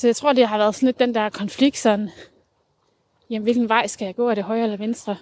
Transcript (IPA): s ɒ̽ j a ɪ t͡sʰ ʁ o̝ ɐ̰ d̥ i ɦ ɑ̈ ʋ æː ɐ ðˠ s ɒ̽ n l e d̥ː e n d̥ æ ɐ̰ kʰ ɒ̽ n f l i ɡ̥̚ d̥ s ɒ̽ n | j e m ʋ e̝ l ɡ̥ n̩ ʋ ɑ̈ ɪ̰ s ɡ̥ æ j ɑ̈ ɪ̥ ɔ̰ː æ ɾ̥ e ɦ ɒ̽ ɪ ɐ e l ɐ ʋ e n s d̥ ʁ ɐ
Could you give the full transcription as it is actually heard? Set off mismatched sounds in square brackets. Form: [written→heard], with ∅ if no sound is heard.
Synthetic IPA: s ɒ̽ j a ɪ t͡sʰ ʁ o̝ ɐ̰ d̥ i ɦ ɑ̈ ʋ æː ɐ ðˠ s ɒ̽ n l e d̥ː e n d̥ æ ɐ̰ kʰ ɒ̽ n f l i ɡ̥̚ d̥ s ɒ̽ n | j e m ʋ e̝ l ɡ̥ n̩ ʋ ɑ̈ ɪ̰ s ɡ̥ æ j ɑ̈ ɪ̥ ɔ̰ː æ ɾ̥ e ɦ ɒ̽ ɪ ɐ e l ɐ ʋ e n s d̥ ʁ ɐ